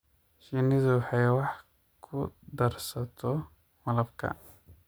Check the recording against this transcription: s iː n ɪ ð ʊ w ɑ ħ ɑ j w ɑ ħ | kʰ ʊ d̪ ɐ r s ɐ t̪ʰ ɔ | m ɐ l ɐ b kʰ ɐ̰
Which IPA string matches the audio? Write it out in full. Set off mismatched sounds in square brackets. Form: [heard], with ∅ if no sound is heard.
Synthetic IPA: [ʃ] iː n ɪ ð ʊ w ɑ ħ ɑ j w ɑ ħ | kʰ ʊ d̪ ɐ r s ɐ t̪ʰ ɔ | m ɐ l ɐ b kʰ ɐ̰